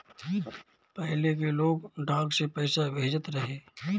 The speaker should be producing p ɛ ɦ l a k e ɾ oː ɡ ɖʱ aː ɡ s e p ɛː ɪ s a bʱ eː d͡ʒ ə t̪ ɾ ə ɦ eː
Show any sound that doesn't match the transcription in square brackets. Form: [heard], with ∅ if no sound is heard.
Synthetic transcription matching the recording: p ɛ ɦ l [e] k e [l] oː ɡ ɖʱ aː ɡ s e p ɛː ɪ s a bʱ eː d͡ʒ ə t̪ ɾ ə ɦ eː